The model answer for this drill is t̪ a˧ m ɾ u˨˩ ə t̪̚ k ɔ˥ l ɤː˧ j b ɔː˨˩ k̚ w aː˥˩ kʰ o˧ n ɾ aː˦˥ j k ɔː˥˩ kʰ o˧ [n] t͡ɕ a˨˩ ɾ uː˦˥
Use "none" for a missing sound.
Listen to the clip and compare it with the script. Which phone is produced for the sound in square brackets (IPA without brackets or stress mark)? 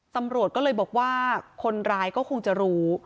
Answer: ŋ